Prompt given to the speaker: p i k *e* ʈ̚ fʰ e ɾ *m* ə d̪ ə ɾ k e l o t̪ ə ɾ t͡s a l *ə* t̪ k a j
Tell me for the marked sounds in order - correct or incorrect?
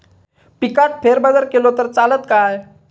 incorrect: a, incorrect: b, correct

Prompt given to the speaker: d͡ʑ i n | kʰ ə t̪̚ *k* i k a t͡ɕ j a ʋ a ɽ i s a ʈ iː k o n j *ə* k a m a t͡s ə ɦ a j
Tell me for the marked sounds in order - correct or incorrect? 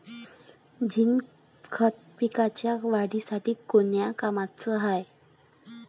incorrect: p, incorrect: a

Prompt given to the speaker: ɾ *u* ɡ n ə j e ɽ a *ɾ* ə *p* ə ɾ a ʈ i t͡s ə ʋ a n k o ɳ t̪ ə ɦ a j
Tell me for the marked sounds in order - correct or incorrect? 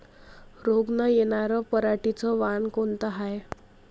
incorrect: o, correct, correct

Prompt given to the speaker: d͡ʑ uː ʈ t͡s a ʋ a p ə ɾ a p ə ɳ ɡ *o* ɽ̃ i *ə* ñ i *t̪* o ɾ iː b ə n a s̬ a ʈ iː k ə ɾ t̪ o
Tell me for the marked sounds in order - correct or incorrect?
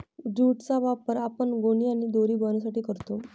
correct, incorrect: a, incorrect: d̪

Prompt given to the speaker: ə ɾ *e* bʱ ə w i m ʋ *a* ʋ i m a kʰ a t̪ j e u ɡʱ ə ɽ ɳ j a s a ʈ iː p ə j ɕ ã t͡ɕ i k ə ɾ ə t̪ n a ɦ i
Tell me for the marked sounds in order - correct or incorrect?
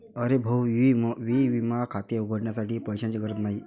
correct, incorrect: i

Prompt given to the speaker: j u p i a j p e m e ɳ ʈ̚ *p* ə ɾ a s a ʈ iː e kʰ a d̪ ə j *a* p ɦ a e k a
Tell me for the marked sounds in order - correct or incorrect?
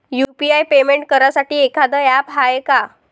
incorrect: k, correct

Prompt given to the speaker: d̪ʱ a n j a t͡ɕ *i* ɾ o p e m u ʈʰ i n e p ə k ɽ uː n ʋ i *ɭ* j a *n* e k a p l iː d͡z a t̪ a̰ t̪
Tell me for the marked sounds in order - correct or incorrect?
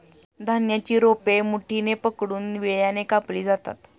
incorrect: iː, correct, correct

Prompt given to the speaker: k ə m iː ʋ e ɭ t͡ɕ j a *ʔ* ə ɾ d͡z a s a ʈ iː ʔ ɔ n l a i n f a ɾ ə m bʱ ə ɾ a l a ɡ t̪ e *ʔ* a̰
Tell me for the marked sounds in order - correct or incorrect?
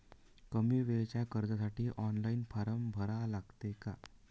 incorrect: k, incorrect: k

